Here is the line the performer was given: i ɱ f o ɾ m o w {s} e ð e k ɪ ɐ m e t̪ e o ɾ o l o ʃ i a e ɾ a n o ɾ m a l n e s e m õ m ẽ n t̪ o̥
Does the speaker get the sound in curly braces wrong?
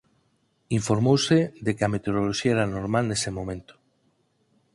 no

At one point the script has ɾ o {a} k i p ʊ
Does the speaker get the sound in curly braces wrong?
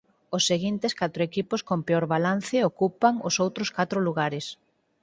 yes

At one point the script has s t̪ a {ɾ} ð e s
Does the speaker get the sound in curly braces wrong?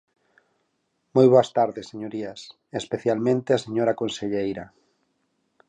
no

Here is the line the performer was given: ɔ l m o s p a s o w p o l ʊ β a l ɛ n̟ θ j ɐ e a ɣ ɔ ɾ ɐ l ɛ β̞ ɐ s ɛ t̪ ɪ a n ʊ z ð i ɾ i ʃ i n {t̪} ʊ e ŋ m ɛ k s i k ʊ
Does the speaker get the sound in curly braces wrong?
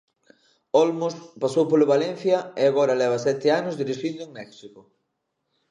yes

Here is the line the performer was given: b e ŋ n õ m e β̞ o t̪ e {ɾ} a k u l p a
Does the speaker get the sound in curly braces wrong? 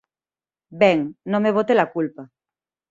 yes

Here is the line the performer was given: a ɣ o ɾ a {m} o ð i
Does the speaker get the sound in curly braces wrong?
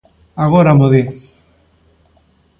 no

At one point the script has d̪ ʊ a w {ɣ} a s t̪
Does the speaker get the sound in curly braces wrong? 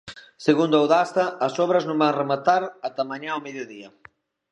yes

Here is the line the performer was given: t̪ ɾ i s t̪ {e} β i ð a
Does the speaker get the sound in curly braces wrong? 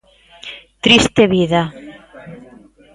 no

